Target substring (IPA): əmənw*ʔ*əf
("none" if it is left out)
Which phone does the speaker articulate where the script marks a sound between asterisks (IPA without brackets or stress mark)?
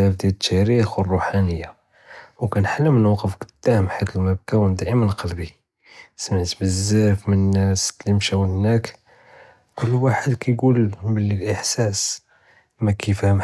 q